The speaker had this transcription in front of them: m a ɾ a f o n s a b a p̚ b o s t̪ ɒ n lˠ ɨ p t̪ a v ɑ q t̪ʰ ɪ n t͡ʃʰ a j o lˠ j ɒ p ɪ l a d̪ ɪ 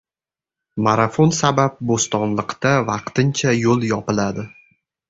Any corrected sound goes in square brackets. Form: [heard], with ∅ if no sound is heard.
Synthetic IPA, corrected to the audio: m a ɾ a f o n s a b a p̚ b o s t̪ ɒ n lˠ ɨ [q] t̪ a v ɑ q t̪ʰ ɪ n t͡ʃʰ a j o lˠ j ɒ p ɪ l a d̪ ɪ